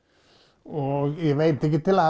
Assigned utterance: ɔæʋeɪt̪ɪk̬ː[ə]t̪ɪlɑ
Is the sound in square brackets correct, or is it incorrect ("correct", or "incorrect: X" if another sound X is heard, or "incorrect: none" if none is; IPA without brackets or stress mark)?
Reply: correct